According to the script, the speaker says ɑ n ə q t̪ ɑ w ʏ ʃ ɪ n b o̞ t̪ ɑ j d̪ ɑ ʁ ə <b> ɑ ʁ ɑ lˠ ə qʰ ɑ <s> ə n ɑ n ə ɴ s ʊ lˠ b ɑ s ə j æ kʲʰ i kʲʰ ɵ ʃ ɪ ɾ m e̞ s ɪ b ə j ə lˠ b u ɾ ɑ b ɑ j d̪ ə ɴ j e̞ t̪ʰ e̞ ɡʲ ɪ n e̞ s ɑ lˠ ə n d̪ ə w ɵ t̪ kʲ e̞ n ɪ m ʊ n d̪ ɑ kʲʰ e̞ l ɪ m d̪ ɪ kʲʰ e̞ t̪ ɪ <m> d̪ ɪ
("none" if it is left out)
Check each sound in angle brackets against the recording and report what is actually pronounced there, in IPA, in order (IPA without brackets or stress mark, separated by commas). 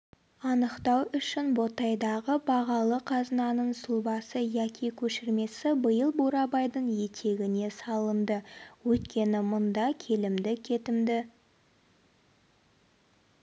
b, z, m